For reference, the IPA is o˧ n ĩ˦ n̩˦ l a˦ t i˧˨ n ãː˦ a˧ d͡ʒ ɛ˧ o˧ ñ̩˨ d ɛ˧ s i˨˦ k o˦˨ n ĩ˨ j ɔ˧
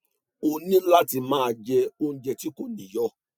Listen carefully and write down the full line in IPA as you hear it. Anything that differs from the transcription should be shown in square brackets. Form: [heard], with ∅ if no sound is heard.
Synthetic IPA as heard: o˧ n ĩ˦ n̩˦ l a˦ t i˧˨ [m] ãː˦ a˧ d͡ʒ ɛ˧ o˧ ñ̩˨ [d͡ʒ] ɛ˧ [t] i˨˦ k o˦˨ n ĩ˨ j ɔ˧